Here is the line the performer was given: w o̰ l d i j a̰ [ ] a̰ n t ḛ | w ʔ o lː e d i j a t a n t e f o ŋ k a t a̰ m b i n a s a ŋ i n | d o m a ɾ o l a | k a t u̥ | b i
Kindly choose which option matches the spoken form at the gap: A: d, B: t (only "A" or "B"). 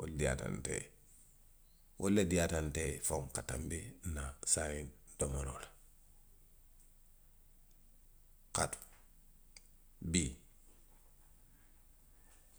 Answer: B